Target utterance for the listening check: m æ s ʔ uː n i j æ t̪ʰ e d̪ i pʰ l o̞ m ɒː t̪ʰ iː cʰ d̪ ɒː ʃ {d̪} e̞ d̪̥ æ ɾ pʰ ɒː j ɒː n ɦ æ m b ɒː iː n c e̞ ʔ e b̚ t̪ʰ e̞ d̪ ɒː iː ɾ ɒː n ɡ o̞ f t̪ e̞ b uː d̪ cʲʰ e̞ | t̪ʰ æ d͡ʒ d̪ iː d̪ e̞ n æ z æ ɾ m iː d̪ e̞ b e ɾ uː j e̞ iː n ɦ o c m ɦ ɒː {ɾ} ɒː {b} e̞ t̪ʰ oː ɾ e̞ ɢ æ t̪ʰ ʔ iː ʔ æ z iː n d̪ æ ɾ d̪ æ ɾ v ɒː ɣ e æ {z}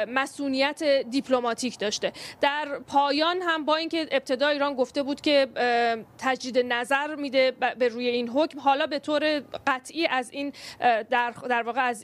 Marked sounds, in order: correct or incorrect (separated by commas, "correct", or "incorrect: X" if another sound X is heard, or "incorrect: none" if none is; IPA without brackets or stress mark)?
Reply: incorrect: t̪, incorrect: l, correct, correct